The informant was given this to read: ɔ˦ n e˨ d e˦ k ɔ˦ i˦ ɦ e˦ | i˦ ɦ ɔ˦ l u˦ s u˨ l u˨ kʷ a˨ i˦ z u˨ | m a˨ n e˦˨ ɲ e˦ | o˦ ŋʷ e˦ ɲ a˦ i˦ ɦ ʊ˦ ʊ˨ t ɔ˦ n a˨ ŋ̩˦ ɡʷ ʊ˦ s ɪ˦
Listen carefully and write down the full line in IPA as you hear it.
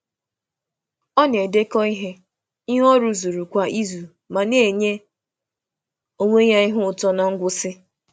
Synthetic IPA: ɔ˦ n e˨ d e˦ k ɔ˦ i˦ ɦ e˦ | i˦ ɦ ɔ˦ ɾ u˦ z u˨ ɾ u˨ kʷ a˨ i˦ z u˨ | m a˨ n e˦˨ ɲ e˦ | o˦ ŋʷ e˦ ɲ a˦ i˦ ɦ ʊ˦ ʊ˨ t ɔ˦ n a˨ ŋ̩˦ ɡʷ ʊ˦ s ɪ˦